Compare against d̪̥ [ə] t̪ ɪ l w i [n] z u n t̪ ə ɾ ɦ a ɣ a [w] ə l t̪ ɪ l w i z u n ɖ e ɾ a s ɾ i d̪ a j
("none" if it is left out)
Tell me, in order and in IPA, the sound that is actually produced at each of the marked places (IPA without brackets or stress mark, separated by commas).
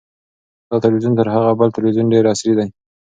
ɑ, none, b